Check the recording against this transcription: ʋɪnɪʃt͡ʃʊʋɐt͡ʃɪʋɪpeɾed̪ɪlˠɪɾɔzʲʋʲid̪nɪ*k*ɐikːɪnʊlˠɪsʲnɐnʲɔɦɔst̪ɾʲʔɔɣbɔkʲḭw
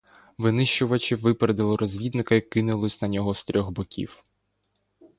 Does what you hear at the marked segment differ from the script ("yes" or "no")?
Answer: no